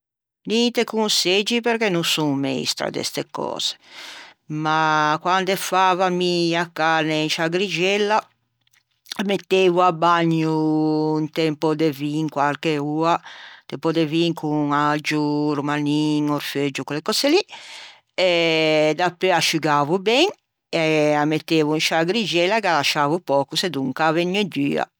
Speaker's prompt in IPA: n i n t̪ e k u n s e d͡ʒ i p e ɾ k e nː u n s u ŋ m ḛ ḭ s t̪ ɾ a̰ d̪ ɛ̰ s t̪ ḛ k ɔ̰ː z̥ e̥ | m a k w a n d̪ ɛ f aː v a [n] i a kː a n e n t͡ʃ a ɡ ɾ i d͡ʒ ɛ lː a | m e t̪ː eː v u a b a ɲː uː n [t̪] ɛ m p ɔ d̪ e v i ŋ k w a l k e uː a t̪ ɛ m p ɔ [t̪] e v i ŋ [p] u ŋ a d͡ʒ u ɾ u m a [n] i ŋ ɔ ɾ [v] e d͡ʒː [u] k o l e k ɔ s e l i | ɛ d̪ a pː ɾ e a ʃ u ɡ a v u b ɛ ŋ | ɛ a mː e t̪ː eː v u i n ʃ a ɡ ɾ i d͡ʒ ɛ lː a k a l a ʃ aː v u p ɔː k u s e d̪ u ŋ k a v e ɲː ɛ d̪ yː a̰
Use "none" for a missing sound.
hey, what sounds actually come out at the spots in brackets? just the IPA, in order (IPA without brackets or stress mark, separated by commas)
m, t̪, d̪, k, n, f, u